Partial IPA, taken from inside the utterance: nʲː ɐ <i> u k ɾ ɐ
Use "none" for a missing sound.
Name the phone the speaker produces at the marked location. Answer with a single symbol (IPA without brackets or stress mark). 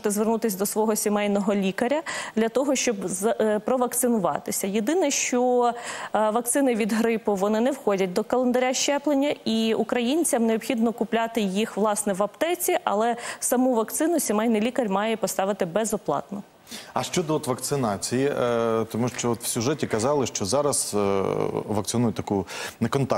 i